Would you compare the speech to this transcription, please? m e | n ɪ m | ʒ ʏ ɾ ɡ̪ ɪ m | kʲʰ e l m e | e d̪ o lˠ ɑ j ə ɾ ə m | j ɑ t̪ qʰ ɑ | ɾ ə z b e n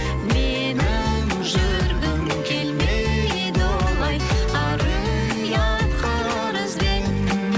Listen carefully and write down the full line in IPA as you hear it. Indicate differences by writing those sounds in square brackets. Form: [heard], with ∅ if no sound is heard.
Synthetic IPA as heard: m e | n ɪ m | ʒ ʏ ɾ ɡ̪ ɪ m | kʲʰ e l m e | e d̪ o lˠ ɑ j [ɑ] ɾ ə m | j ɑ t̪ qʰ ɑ | ɾ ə z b e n